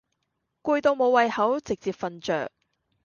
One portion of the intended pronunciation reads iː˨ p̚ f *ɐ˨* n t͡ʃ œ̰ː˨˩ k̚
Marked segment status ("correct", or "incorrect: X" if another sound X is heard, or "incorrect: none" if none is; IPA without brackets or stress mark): correct